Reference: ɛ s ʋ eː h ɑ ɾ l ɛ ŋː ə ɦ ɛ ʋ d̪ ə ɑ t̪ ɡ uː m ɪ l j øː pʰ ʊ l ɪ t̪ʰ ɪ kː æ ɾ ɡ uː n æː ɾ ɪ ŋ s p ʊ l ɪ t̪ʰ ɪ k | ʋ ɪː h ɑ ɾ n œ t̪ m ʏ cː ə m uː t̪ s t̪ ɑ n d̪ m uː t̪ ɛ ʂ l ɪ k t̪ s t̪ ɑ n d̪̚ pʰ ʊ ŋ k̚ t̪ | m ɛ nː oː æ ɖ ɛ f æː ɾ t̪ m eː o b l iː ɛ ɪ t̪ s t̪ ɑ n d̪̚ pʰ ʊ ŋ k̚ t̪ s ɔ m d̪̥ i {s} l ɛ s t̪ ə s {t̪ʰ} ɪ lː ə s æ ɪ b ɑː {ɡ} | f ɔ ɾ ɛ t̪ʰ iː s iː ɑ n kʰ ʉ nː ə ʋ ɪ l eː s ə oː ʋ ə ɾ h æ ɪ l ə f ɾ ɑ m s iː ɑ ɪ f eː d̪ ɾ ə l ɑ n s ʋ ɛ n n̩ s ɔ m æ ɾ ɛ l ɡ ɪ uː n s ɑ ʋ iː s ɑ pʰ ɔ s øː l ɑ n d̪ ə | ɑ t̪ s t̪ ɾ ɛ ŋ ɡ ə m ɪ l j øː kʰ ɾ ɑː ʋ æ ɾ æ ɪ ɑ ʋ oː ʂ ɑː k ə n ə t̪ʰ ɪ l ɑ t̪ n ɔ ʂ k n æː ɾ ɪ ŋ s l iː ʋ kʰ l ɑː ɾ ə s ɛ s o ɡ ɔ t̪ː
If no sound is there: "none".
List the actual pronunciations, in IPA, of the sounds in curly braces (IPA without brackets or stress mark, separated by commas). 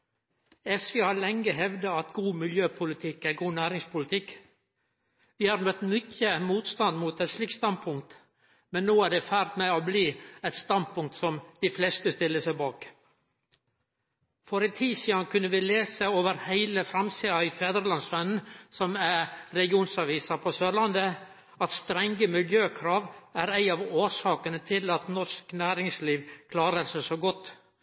f, t̪, k